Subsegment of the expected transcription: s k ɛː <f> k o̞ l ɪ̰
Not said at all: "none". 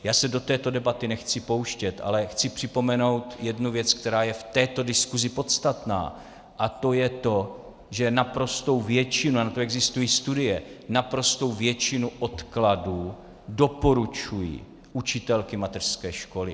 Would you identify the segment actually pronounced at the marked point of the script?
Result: ʃ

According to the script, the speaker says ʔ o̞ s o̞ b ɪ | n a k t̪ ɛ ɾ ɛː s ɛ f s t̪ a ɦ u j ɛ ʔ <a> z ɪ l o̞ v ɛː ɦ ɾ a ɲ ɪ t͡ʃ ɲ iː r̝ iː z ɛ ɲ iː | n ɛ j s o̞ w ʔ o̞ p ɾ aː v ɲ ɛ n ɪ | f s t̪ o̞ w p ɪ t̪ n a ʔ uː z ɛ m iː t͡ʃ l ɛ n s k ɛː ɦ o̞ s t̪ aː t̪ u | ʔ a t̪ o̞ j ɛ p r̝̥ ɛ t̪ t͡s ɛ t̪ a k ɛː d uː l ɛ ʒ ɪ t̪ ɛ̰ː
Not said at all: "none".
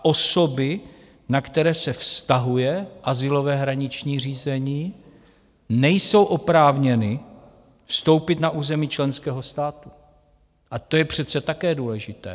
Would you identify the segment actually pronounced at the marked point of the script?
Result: a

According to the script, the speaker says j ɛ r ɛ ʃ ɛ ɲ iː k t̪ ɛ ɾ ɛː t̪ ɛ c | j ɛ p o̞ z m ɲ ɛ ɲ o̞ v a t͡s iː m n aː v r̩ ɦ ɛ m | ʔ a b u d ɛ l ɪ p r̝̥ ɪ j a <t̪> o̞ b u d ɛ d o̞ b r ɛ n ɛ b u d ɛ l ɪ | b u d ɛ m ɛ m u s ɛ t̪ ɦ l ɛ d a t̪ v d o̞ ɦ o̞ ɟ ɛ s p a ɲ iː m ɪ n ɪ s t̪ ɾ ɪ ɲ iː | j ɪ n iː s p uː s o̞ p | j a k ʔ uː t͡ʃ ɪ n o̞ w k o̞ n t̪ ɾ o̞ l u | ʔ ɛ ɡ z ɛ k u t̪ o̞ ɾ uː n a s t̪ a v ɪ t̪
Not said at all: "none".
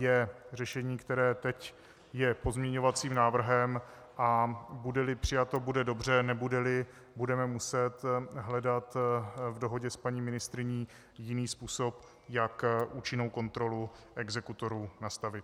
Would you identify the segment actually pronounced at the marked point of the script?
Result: t̪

